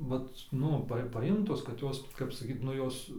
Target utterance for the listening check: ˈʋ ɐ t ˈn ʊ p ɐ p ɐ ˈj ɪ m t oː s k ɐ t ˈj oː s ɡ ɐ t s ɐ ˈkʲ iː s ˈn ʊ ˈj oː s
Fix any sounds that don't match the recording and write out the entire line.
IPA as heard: ˈʋ ɐ t ˈn ʊ p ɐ p ɐ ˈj ɪ m t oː s k ɐ t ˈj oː s k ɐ p s ɐ ˈkʲ iː t ˈn ʊ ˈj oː s